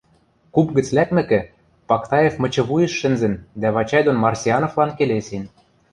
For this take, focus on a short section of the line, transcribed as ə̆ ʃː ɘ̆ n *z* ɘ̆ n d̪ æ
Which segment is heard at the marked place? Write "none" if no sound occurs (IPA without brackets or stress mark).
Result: z